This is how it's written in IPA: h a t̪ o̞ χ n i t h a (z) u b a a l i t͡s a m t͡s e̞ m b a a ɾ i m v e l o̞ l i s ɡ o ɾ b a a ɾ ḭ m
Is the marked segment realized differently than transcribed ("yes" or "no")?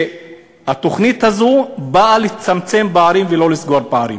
no